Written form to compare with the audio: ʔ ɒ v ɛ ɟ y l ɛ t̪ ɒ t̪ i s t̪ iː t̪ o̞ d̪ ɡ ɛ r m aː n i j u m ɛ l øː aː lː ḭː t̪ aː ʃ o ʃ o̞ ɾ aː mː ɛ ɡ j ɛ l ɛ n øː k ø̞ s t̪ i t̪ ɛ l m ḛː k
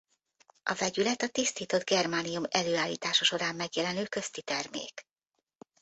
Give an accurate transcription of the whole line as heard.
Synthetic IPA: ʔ ɒ v ɛ ɟ y l ɛ t̪ ɒ t̪ i s t̪ iː t̪ o̞ d̪ ɡ ɛ r m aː n i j u m ɛ l øː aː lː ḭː t̪ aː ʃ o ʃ o̞ ɾ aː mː ɛ ɡ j ɛ l ɛ n øː k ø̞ s t̪ i t̪ ɛ r m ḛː k